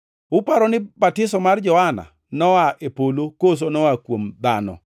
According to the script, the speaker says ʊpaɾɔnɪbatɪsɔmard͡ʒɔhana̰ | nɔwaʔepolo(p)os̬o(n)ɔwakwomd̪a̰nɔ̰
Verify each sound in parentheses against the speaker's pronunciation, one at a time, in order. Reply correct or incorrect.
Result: incorrect, correct

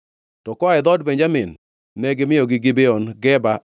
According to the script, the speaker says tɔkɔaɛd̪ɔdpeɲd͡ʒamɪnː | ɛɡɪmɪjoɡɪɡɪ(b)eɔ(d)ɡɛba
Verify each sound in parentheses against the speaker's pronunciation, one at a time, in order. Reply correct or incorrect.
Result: correct, incorrect

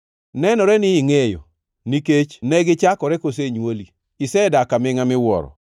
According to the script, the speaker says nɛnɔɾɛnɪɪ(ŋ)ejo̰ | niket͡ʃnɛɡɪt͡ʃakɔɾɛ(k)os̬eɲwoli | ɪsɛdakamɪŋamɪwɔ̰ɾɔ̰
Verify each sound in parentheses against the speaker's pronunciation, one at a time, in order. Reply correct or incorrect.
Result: correct, correct

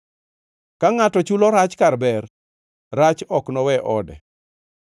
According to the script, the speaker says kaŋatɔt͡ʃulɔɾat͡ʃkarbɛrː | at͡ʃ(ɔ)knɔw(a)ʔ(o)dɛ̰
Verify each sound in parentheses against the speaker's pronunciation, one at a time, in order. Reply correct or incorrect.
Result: correct, incorrect, incorrect

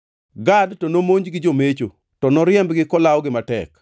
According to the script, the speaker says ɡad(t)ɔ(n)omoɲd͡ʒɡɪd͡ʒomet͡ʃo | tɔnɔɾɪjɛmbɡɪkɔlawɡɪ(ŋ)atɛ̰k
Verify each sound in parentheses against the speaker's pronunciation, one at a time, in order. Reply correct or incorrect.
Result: correct, correct, incorrect

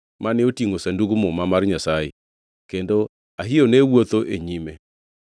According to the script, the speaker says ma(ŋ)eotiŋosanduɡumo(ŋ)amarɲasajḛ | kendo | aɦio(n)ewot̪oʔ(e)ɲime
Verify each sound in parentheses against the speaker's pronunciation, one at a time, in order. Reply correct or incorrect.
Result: incorrect, incorrect, correct, correct

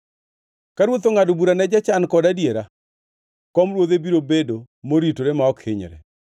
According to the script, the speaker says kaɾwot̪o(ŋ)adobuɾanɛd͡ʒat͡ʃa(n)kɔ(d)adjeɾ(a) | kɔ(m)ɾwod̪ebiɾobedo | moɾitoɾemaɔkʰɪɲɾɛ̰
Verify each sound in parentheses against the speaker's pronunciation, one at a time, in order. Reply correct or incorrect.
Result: correct, correct, correct, correct, correct

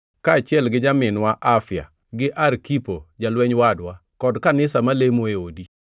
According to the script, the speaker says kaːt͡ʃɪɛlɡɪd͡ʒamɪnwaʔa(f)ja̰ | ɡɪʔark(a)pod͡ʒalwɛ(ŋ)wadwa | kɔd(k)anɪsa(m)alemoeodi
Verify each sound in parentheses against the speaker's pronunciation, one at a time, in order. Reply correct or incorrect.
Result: correct, incorrect, incorrect, correct, correct

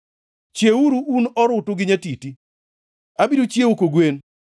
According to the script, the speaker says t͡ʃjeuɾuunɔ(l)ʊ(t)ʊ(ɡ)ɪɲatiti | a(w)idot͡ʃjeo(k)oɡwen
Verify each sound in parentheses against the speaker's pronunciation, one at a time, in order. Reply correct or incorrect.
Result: incorrect, correct, correct, incorrect, correct

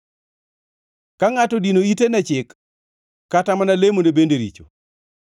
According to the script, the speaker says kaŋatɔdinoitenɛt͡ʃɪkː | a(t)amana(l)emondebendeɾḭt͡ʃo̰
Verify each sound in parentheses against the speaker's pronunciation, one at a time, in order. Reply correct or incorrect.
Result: correct, correct

